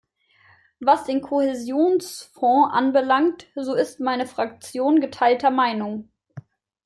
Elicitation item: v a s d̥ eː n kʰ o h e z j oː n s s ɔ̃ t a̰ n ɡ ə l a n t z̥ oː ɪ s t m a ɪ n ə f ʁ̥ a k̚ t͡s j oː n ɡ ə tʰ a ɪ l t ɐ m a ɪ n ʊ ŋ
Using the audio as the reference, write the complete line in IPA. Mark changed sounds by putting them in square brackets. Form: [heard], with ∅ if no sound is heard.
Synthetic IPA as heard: v a s d̥ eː n kʰ o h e z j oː n s [f] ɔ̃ [ʔ] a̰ n [b] ə l a [ŋ] t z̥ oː ɪ s t m a ɪ n ə f ʁ̥ a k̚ t͡s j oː n ɡ ə tʰ a ɪ l t ɐ m a ɪ n ʊ ŋ

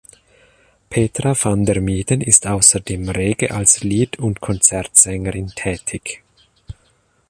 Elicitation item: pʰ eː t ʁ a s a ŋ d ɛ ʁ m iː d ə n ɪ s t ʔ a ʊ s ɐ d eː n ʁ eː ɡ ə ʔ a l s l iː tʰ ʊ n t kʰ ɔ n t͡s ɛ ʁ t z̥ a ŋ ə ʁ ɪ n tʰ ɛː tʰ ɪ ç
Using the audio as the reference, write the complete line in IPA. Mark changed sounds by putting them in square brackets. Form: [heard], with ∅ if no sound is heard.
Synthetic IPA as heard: pʰ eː t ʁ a [f] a [n] d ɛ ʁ m iː d ə n ɪ s t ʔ a ʊ s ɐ d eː [m] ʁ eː ɡ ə ʔ a l s l iː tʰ ʊ n t kʰ ɔ n t͡s ɛ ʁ t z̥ [ɛ] ŋ ə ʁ ɪ n tʰ ɛː tʰ ɪ ç

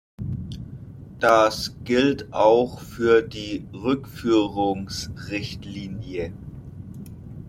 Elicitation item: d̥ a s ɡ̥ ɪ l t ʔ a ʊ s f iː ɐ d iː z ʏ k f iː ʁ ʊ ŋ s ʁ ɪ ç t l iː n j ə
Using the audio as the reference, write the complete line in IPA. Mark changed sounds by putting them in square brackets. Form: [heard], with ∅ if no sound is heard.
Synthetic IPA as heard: d̥ a s ɡ̥ ɪ l t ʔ a ʊ [x] f [yː] ɐ d iː [ʁ] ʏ k f [yː] ʁ ʊ ŋ s ʁ ɪ ç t l iː n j ə

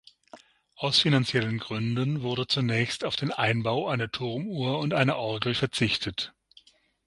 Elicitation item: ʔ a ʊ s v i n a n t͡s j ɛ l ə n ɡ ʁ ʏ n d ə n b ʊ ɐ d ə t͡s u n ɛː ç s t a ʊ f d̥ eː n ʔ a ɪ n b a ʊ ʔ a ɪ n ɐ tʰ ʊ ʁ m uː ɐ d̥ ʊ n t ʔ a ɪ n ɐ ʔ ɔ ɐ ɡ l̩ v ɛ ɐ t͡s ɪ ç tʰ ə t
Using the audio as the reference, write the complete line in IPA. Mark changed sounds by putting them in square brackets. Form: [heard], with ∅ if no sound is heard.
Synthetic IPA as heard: ʔ a ʊ s [f] i n a n t͡s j ɛ l ə n ɡ ʁ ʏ n d ə n [v] ʊ ɐ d ə t͡s u n ɛː ç s t a ʊ f d̥ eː n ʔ a ɪ n b a ʊ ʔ a ɪ n ɐ tʰ ʊ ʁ m uː ɐ [∅] ʊ n t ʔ a ɪ n ɐ ʔ ɔ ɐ ɡ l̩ [f] ɛ ɐ t͡s ɪ ç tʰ ə t

